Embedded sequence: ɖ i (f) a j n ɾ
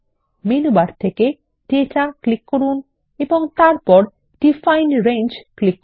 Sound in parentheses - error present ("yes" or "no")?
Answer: no